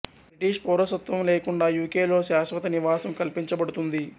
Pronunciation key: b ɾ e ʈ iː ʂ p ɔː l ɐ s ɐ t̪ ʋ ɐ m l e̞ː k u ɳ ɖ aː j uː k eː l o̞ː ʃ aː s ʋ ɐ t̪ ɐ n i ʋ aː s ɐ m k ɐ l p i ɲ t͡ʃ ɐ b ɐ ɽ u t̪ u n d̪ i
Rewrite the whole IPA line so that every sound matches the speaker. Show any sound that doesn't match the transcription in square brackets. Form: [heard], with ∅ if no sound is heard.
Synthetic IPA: b ɾ [i] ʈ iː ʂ p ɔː [ɾ] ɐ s ɐ t̪ ʋ ɐ m l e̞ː k u ɳ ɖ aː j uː k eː l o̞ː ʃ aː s ʋ ɐ t̪ ɐ n i ʋ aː s ɐ m k ɐ l p i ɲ t͡ʃ ɐ b ɐ ɽ u t̪ u n d̪ i